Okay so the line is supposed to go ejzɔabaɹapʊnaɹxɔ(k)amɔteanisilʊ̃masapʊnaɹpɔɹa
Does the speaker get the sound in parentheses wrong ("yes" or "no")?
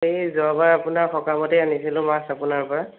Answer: no